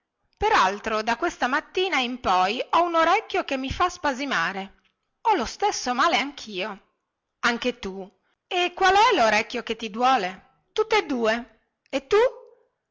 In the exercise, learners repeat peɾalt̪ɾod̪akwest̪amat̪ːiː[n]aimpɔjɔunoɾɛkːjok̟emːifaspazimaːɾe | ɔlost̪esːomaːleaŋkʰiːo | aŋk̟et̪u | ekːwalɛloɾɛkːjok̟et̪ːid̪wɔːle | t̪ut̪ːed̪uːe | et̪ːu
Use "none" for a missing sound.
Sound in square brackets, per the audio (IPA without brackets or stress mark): n